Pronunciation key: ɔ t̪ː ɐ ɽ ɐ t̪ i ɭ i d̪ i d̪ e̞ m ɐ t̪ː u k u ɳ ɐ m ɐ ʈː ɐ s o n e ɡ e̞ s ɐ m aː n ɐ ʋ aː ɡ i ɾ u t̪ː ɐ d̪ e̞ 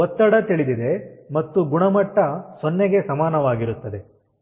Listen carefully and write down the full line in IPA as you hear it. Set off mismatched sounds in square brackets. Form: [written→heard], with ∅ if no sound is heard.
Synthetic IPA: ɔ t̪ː ɐ ɽ ɐ t̪ i ɭ i d̪ i d̪ e̞ m ɐ t̪ː u [k→ɡ] u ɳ ɐ m ɐ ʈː ɐ s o [n→nː] e ɡ e̞ s ɐ m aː n ɐ ʋ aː ɡ i ɾ u t̪ː ɐ d̪ e̞